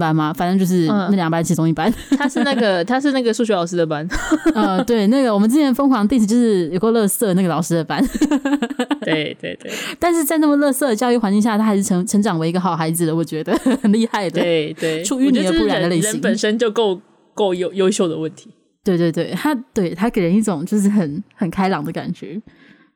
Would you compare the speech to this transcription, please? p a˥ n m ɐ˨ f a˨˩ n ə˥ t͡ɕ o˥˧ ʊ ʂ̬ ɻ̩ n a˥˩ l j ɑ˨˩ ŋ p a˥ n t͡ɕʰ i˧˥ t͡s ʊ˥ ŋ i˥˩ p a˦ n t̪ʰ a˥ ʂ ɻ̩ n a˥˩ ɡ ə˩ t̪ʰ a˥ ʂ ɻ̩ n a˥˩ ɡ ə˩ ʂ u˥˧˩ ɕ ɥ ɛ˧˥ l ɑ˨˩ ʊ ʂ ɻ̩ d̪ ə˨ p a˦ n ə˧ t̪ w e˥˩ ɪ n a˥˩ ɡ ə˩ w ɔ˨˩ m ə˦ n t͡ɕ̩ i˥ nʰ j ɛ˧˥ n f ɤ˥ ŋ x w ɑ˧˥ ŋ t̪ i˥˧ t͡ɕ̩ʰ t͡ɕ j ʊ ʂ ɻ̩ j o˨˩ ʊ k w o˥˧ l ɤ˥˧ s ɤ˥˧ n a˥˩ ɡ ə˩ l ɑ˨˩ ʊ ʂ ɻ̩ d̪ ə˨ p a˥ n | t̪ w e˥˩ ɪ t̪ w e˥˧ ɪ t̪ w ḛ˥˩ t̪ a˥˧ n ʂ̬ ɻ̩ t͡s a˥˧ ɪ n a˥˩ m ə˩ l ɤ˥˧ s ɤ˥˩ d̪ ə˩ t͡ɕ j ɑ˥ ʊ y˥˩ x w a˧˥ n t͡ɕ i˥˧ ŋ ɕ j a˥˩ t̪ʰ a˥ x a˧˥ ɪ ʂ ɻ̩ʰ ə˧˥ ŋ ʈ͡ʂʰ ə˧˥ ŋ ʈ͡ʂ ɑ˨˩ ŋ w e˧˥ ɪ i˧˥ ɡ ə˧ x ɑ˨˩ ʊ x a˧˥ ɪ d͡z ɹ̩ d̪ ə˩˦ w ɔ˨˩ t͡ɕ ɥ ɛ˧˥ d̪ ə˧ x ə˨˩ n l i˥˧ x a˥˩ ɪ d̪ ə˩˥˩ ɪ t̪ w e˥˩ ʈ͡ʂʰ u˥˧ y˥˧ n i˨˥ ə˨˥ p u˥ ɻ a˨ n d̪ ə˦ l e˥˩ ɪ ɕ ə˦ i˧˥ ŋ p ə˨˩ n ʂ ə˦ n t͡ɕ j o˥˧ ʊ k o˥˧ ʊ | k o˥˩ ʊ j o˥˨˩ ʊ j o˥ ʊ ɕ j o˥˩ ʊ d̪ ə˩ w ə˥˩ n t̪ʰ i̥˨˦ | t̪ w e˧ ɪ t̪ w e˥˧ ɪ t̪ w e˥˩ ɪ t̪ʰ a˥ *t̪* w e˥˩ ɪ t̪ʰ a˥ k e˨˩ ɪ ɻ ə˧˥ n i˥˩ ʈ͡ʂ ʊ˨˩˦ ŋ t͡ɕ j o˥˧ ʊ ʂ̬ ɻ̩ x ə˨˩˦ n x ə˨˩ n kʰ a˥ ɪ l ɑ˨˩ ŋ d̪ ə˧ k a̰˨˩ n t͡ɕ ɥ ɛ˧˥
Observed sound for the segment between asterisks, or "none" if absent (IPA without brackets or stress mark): t̪